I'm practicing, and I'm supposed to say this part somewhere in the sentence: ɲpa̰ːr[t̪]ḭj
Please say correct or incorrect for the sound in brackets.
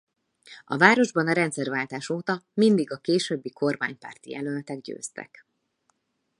correct